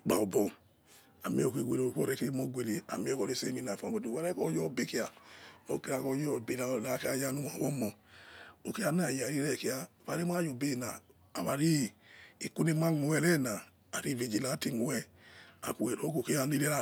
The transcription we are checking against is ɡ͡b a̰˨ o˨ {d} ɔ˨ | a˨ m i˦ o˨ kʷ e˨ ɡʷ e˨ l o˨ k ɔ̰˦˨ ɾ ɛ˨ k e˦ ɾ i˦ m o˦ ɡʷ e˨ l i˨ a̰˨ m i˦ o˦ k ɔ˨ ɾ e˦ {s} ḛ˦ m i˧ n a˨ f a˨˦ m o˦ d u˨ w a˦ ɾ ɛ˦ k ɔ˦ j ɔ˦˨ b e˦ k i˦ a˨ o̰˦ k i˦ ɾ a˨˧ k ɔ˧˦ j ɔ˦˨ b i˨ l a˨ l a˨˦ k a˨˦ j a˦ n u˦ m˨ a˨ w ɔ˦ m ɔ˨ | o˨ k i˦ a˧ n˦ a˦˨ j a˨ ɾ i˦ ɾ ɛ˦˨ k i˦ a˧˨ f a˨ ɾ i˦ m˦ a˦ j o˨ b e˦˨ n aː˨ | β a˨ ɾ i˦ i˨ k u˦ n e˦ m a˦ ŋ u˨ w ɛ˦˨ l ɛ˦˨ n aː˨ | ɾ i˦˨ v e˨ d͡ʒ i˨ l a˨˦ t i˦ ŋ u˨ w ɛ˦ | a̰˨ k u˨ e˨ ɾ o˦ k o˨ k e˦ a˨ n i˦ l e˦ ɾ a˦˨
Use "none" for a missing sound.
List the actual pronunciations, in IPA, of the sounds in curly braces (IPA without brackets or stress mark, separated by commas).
b, s